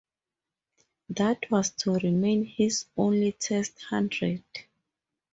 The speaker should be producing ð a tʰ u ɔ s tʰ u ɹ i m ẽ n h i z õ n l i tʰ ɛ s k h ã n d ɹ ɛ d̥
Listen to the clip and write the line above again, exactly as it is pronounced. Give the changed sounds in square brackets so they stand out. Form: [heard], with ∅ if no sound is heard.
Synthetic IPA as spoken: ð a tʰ [w] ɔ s tʰ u ɹ i m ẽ n h i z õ n l i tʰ ɛ s [t] h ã n d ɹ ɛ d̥